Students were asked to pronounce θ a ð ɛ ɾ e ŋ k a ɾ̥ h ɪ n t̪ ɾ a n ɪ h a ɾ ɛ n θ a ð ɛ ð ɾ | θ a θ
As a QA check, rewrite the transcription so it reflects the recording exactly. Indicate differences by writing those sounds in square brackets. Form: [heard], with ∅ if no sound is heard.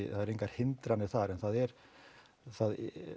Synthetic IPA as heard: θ a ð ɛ ɾ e ŋ k a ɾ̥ h ɪ n t̪ ɾ a n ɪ [θ] a ɾ ɛ n θ a ð ɛ [∅] ɾ | θ a [ð]